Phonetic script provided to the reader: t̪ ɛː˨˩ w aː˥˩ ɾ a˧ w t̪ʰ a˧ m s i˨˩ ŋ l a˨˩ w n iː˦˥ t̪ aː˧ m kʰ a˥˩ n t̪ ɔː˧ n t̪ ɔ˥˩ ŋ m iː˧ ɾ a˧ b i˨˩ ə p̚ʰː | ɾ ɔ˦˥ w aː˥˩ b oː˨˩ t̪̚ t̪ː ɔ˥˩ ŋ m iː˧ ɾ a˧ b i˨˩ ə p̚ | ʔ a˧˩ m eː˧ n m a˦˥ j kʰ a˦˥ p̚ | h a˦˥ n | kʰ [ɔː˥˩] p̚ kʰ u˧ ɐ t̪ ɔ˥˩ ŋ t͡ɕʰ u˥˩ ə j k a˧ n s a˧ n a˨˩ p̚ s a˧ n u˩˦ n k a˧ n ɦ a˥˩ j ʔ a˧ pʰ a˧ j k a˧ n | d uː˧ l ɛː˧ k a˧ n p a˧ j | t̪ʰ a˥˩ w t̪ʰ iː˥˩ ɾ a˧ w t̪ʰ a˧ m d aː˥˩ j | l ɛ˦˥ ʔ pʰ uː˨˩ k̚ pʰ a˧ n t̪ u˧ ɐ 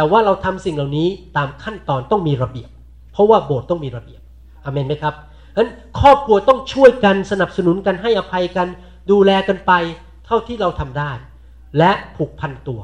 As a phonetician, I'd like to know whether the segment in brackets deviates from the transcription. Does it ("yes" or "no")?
no